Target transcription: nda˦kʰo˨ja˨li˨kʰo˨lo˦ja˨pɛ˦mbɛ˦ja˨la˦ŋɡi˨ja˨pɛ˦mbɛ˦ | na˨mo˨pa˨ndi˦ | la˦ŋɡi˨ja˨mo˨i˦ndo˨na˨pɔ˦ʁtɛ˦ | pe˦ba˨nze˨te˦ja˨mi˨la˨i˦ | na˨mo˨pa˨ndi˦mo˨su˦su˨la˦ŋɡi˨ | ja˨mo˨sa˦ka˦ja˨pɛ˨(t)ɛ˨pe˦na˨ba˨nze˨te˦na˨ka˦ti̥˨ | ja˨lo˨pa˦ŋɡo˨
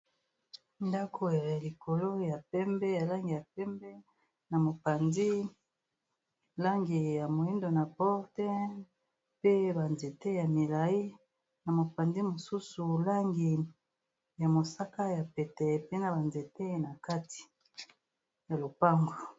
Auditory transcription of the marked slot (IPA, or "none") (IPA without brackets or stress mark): t